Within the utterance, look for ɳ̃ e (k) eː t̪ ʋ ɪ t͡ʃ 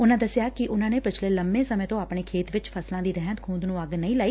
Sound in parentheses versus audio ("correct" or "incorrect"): incorrect